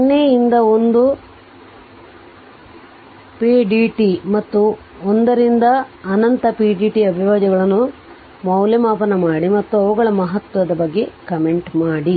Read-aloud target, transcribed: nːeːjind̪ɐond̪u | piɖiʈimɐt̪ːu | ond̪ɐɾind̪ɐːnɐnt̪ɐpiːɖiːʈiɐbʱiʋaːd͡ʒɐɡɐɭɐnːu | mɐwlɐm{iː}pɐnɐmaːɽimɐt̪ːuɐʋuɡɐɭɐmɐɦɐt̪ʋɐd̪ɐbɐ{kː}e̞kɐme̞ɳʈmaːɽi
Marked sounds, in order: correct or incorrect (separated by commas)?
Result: incorrect, incorrect